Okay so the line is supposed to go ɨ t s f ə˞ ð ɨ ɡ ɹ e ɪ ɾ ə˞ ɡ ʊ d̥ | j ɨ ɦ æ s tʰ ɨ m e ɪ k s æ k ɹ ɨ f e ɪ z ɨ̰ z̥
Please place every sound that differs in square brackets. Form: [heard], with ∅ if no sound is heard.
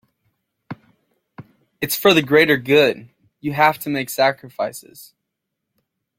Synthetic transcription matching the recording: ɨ t s f ə˞ ð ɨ ɡ ɹ e ɪ ɾ ə˞ ɡ ʊ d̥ | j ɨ ɦ æ [f] tʰ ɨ m e ɪ k s æ k ɹ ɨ f [a] ɪ [s] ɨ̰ z̥